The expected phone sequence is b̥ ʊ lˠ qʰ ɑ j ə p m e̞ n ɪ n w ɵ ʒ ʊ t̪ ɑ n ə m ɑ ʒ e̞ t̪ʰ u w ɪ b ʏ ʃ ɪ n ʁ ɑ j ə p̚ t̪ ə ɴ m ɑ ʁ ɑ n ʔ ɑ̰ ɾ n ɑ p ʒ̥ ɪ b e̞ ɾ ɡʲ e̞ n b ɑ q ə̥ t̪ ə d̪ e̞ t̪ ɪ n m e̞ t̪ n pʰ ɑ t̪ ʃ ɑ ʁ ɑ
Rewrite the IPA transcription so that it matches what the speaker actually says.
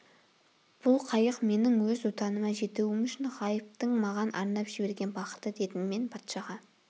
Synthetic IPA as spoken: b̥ ʊ lˠ qʰ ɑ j ə q m e̞ n ɪ ŋ w ɵ z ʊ t̪ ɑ n ə m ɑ ʒ e̞ t̪ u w ɪ m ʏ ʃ ɪ n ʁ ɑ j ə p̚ t̪ ə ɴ m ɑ ʁ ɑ n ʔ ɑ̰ ɾ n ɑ p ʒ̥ ɪ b e̞ ɾ ɡʲ e̞ n b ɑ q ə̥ t̪ ə d̪ e̞ t̪ ɪ n m e̞ n pʰ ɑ t̪ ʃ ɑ ʁ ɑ